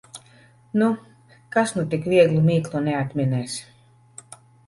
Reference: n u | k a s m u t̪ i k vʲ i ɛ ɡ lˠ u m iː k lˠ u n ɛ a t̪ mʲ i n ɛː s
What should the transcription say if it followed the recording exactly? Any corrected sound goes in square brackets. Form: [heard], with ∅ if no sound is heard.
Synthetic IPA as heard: n u | k a s [n] u t̪ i k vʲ i ɛ ɡ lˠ u m iː k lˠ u n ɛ a t̪ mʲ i n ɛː s